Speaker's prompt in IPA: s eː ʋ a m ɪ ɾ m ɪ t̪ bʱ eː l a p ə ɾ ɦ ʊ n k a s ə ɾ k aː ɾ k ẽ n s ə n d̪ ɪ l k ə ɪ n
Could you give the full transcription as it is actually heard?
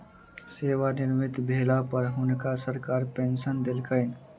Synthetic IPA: s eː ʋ a n ɪ ɾ m ɪ t̪ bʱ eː l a p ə ɾ ɦ ʊ n k a s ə ɾ k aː ɾ p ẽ n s ə n d̪ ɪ l k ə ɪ n